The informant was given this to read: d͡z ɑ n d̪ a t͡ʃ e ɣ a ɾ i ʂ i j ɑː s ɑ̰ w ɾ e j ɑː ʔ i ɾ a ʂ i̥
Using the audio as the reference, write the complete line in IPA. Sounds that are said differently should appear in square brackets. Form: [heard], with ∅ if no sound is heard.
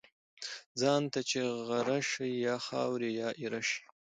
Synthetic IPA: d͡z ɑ n [t̪] a t͡ʃ e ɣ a ɾ [a] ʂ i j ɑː [x] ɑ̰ w ɾ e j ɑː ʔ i ɾ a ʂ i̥